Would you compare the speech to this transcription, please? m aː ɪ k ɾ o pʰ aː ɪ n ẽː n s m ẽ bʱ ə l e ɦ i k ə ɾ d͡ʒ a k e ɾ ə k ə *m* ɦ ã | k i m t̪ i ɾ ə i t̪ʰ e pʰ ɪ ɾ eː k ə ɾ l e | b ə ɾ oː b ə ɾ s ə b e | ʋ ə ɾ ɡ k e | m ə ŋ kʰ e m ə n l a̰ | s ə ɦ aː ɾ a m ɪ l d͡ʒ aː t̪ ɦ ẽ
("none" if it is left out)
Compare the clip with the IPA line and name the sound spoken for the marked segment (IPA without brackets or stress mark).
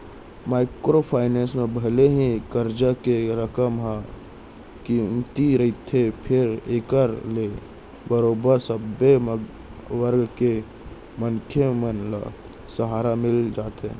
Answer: m